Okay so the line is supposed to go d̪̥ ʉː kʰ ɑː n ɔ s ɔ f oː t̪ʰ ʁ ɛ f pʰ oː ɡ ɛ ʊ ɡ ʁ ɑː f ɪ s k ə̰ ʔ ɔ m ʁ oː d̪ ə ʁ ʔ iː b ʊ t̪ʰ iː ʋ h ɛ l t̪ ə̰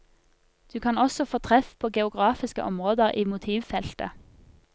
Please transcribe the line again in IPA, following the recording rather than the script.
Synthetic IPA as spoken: d̪̥ ʉː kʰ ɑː n ɔ s ɔ f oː t̪ʰ ʁ ɛ f pʰ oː ɡ ɛ ʊ ɡ ʁ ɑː f ɪ s k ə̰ ʔ ɔ m ʁ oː d̪ ə ʁ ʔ iː m ʊ t̪ʰ iː ʋ f ɛ l t̪ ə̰